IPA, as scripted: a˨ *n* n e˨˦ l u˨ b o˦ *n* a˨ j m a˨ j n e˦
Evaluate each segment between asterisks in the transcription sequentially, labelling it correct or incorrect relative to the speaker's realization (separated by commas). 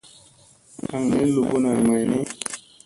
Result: incorrect, correct